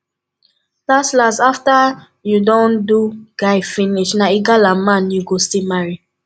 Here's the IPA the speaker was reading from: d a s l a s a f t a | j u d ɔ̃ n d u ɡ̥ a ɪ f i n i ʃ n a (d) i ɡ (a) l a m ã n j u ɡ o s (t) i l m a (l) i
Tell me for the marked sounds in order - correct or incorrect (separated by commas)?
incorrect, correct, correct, incorrect